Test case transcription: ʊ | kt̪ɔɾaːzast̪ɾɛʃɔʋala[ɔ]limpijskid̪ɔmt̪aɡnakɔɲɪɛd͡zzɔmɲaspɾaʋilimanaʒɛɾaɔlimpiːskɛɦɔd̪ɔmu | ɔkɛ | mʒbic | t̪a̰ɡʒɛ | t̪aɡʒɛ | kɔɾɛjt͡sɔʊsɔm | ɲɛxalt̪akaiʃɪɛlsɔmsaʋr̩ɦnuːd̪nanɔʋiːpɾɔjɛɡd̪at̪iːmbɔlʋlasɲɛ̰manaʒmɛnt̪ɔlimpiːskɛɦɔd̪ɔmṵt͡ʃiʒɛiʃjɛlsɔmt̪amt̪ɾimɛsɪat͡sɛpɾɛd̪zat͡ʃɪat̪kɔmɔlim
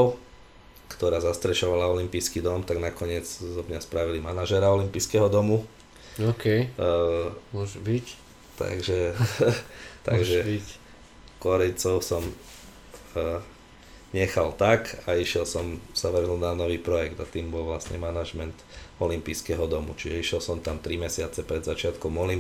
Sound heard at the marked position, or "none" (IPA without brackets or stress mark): ɔ